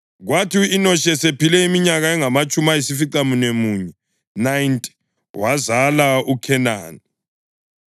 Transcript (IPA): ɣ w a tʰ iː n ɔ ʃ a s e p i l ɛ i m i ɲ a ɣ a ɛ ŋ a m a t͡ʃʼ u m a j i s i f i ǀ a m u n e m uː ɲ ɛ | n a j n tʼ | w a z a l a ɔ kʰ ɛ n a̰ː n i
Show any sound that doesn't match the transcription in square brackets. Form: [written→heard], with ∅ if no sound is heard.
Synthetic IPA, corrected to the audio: ɣ w a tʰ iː n ɔ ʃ [a→ɛ] s e p i l ɛ i m i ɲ a ɣ a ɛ ŋ a m a t͡ʃʼ u m a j i s i f i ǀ a m u n e m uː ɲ ɛ | n a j n tʼ | w a z a l a [ɔ→u] kʰ ɛ n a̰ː n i